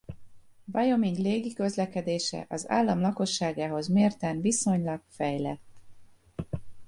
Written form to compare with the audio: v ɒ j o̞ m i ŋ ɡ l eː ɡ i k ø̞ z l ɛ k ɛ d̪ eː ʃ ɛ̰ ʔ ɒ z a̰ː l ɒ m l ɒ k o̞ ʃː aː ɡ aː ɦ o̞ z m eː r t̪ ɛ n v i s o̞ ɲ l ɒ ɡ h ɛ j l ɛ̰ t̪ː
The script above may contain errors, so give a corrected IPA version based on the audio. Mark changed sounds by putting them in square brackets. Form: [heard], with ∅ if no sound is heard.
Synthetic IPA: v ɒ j o̞ m i ŋ ɡ l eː ɡ i k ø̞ z l ɛ k ɛ d̪ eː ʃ ɛ̰ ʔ ɒ z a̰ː [lː] ɒ m l ɒ k o̞ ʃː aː ɡ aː ɦ o̞ z m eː r t̪ ɛ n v i s o̞ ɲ l ɒ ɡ [f] ɛ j l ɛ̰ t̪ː